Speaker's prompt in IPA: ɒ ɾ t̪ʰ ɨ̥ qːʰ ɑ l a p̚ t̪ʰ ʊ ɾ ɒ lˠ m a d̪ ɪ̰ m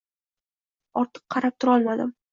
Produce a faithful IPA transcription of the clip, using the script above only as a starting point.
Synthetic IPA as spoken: ɒ ɾ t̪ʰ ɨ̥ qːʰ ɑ ɾ a p̚ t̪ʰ ʊ ɾ ɒ lˠ m a d̪ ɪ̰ m